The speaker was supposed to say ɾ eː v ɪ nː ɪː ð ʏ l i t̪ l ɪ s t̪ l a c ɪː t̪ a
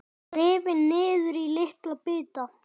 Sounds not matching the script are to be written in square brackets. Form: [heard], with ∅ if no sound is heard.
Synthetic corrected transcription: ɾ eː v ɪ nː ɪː ð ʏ [ɾ] i [∅] l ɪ [h] t̪ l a [p] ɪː t̪ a